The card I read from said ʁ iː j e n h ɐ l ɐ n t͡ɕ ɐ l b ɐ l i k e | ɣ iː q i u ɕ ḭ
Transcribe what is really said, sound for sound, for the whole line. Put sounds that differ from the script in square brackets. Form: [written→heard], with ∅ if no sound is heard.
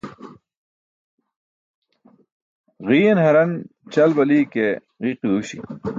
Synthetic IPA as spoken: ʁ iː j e n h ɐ [l→ɾ] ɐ n t͡ɕ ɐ l b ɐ l i k e | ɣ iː q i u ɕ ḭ